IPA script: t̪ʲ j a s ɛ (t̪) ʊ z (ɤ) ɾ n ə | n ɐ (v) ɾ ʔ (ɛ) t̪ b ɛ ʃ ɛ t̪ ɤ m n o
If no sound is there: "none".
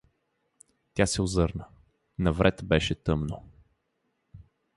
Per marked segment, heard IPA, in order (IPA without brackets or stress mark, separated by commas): none, ɤ, v, ɛ